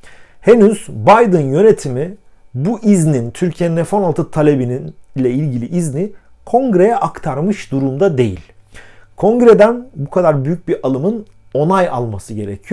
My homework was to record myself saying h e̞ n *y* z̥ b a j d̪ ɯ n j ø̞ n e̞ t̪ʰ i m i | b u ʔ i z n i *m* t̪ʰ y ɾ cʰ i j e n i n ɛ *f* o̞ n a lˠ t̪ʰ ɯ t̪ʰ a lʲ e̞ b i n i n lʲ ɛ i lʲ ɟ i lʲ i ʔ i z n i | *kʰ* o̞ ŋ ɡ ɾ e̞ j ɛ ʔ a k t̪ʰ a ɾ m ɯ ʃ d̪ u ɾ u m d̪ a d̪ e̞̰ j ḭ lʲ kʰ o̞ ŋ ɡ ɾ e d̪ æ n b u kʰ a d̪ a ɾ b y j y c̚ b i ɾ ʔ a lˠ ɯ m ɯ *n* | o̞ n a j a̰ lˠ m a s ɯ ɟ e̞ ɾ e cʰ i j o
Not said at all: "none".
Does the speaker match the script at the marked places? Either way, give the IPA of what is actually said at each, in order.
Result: y, n, f, kʰ, n

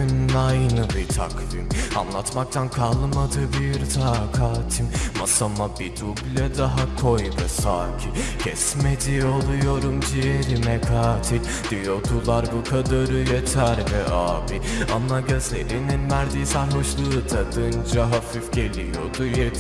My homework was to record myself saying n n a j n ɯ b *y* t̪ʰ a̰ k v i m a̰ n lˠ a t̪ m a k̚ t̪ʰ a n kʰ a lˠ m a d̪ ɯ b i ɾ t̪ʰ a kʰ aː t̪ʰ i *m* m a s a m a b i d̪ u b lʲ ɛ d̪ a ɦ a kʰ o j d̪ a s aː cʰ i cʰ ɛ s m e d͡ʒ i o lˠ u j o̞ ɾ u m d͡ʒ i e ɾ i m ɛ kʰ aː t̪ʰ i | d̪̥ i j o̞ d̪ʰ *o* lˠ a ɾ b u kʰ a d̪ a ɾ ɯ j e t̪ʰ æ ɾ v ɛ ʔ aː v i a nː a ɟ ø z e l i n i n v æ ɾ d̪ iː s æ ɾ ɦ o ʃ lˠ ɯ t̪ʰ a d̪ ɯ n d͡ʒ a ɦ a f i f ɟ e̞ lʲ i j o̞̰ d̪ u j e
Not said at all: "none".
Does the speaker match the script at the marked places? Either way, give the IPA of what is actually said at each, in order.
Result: i, m, u

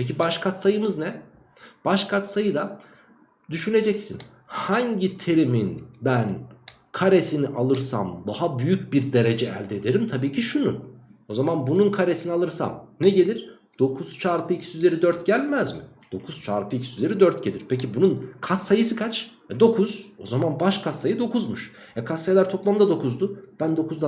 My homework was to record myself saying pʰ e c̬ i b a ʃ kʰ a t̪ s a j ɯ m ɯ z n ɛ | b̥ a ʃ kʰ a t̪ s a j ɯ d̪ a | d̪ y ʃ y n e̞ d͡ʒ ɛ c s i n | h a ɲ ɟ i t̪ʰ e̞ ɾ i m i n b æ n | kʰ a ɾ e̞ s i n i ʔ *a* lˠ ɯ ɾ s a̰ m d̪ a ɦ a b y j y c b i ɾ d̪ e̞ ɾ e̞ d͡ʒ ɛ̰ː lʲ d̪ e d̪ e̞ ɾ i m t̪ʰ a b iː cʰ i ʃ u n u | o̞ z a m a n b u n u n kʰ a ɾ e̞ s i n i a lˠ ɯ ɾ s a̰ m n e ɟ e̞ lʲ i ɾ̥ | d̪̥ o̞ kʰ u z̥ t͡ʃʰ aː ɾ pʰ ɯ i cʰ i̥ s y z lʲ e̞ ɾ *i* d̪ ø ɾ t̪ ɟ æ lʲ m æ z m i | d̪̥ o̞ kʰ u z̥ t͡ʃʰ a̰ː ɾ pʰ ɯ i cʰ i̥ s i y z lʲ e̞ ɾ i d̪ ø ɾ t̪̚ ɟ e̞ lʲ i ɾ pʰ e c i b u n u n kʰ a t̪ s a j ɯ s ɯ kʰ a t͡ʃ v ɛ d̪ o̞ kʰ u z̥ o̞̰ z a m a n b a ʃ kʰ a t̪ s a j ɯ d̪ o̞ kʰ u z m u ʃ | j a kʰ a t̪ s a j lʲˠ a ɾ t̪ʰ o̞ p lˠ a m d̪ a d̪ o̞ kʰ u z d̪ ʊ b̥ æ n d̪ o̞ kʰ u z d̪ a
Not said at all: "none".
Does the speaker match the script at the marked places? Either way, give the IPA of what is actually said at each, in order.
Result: a, i

